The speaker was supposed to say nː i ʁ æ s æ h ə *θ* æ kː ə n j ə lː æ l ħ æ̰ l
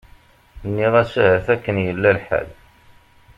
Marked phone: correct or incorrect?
correct